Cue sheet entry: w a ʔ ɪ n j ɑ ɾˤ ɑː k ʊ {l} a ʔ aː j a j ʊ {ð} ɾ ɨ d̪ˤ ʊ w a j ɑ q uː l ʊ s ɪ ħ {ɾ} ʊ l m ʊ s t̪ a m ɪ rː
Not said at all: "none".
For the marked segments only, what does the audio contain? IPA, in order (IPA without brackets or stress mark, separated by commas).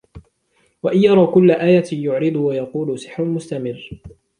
lː, ʕ, ɾ